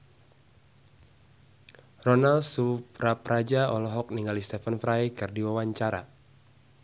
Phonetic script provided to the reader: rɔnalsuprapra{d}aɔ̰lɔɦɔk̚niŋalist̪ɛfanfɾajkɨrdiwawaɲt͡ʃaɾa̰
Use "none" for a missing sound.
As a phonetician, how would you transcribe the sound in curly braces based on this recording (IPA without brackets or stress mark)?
d͡ʒ